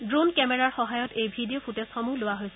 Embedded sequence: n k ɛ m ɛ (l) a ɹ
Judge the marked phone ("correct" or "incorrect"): incorrect